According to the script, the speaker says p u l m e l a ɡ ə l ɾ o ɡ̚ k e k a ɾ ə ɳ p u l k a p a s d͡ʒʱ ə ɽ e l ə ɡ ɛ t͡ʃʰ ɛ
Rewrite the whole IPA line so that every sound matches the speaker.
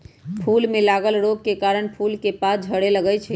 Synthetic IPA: pʰ u l m e l a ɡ ə l ɾ o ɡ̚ k e k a ɾ ə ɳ pʰ u l k e p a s d͡ʒʱ ə ɽ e l ə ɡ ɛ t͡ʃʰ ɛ